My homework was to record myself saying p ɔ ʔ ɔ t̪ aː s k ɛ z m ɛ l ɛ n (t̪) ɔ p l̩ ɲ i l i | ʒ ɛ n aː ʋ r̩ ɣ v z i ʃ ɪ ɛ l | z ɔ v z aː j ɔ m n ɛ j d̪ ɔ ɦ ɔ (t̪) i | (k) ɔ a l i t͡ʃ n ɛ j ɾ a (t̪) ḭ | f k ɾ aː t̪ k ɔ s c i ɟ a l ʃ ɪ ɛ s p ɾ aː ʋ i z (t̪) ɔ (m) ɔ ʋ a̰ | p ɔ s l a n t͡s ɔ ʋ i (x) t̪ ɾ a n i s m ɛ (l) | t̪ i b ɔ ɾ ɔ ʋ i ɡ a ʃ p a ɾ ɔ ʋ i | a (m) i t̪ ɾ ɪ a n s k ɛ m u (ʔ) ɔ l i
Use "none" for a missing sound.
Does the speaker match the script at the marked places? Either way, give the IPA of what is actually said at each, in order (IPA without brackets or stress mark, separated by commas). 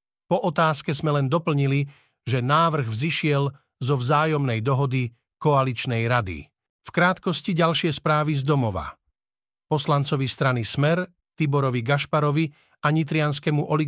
d̪, d̪, k, d̪, d̪, m, s, ɾ, ɲ, ʔ